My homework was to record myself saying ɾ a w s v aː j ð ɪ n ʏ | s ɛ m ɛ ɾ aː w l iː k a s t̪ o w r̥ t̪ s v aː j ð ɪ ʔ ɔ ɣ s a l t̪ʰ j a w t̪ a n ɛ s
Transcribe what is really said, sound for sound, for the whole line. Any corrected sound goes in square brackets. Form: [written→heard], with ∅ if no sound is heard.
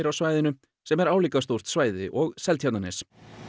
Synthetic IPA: ɾ a w s v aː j ð ɪ n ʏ | s ɛ m ɛ ɾ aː w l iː k a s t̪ o w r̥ t̪ s v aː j ð ɪ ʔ ɔ ɣ s [a→ɛ] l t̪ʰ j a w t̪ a n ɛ s